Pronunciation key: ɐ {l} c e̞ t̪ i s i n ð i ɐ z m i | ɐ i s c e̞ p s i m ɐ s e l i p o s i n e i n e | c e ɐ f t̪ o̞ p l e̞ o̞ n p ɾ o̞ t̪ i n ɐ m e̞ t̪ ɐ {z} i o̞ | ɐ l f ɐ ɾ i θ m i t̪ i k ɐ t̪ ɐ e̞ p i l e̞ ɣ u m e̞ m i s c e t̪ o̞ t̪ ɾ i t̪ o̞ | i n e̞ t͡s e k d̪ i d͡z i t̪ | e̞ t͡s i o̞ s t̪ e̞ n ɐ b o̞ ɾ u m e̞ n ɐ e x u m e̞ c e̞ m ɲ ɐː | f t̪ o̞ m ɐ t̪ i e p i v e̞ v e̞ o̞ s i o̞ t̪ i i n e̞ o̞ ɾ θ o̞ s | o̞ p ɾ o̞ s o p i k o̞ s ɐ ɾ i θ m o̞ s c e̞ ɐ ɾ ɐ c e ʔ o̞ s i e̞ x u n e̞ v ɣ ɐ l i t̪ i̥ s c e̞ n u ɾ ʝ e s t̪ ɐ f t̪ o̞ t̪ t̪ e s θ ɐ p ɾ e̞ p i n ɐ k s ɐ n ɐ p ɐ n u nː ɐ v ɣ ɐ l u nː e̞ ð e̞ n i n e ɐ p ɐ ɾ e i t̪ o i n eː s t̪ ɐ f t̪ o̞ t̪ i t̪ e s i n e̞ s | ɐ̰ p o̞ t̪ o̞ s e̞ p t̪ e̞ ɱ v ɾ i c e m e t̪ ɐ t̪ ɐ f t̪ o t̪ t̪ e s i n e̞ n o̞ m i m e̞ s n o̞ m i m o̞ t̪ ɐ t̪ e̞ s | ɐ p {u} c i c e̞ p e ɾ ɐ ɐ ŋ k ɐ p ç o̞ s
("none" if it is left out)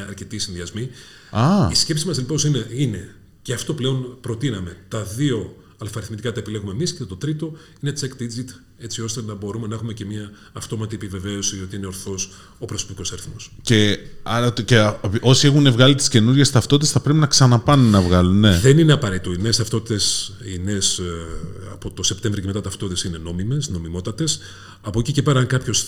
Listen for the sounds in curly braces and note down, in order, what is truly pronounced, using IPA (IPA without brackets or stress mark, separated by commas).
ɾ, ð, o